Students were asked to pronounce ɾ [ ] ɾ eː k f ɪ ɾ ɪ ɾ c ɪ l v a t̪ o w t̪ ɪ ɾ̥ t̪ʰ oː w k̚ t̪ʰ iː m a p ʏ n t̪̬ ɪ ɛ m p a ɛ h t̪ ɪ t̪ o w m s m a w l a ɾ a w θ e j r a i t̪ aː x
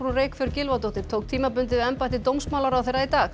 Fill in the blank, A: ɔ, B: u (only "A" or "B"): B